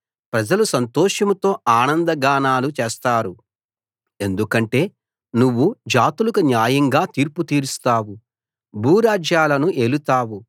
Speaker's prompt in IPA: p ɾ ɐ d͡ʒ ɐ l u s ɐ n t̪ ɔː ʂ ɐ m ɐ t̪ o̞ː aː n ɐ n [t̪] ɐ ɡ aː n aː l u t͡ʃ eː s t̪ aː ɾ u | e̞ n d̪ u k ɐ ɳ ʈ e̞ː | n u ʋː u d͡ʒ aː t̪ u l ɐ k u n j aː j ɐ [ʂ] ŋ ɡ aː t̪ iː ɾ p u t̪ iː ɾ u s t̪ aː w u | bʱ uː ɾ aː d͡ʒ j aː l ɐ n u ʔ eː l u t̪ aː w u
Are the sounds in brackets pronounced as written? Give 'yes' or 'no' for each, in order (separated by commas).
no, no